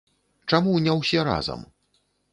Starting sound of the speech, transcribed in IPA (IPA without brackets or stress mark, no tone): t͡ʂ